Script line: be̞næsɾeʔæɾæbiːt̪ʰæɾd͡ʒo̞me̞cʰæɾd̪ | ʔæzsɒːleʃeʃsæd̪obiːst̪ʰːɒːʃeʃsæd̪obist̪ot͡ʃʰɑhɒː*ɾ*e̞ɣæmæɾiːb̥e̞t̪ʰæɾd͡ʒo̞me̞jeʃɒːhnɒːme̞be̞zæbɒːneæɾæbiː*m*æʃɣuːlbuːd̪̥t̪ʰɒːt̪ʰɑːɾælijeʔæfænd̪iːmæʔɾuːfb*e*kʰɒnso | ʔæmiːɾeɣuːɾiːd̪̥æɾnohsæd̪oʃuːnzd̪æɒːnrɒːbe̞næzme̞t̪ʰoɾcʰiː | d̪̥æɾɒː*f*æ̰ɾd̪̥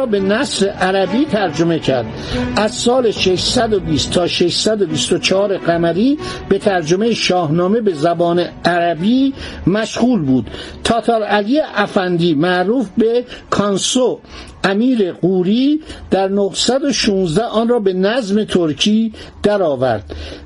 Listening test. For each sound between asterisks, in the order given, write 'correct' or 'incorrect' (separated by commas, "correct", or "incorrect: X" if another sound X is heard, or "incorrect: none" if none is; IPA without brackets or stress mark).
correct, correct, correct, incorrect: v